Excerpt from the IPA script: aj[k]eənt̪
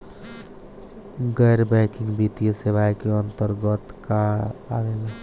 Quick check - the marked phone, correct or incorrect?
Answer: correct